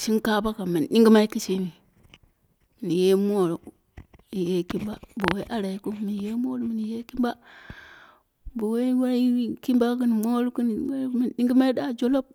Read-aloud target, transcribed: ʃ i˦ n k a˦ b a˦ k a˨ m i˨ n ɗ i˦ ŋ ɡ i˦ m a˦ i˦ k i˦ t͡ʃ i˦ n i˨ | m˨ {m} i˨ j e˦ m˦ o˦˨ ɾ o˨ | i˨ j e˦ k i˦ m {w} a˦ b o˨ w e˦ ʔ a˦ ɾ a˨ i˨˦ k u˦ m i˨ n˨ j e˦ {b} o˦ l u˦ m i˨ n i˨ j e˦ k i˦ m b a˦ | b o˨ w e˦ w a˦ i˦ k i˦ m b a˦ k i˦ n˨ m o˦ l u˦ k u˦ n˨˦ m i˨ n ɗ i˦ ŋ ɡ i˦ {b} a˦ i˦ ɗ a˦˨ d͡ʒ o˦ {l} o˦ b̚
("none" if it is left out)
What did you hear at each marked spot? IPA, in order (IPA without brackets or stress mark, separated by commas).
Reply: n, b, m, m, l